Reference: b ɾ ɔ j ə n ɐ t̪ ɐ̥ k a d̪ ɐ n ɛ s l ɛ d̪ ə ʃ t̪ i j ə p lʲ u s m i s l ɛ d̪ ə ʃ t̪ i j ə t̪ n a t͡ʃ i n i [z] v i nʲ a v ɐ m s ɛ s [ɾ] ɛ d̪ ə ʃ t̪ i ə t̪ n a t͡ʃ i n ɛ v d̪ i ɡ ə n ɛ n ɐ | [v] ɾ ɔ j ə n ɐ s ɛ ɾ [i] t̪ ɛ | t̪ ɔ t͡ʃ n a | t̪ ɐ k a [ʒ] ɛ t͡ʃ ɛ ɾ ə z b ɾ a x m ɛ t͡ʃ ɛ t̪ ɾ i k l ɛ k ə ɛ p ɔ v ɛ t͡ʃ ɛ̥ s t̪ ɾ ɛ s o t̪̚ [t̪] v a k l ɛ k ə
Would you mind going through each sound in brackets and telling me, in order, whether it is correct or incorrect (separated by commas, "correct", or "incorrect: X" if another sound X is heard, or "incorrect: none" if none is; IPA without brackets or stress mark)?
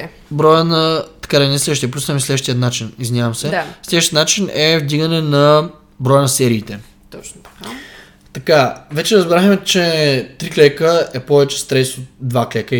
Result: correct, incorrect: l, incorrect: b, incorrect: iː, incorrect: v, incorrect: d̪